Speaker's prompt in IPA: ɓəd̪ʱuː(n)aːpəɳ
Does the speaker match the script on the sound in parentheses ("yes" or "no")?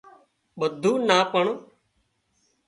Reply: yes